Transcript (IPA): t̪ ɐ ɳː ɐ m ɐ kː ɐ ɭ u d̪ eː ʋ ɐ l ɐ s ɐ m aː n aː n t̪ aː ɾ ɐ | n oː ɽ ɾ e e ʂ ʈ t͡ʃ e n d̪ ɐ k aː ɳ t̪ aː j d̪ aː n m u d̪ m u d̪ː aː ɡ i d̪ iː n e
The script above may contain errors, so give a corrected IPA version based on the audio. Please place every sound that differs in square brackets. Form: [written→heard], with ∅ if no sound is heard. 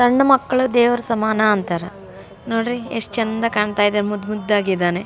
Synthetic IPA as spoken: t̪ ɐ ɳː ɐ m ɐ kː ɐ ɭ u d̪ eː ʋ ɐ [l→ɾ] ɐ s ɐ m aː n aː n t̪ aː ɾ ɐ | n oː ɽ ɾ [e→i] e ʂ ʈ t͡ʃ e n d̪ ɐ k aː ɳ t̪ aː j d̪ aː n m u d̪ m u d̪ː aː ɡ i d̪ [iː→aː] n e